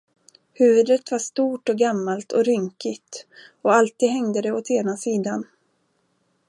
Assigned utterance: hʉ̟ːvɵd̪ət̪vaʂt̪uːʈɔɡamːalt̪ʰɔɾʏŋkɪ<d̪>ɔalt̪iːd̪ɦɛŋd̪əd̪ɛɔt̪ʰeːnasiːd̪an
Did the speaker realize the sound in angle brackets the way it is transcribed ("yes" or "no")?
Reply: no